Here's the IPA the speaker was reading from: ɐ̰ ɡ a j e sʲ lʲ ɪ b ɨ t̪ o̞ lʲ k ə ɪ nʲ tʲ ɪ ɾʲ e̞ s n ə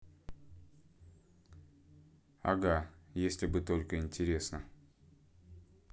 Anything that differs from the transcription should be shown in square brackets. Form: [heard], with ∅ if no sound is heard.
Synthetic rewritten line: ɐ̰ ɡ a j e sʲ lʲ ɪ b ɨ t̪ o̞ lʲ k ə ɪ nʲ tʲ ɪ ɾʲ e̞ s n ə